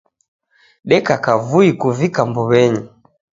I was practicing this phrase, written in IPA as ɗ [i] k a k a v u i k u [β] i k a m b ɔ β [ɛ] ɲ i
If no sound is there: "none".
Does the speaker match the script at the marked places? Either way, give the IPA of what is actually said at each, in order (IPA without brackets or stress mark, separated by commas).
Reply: ɛ, v, ɛ